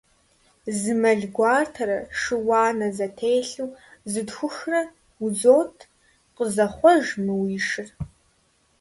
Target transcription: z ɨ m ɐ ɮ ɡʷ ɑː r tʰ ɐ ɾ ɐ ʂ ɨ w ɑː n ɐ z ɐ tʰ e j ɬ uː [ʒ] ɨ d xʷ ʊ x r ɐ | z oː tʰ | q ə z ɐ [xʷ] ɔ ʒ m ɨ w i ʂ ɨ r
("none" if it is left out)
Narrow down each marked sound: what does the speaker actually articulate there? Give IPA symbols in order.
z, χʷ

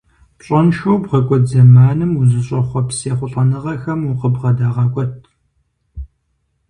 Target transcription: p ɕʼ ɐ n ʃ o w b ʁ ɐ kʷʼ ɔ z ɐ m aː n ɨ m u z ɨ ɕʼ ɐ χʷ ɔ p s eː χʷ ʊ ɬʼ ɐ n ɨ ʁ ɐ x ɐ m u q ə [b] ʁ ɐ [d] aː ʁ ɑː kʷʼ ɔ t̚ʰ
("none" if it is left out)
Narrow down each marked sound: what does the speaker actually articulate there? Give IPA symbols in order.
b, d

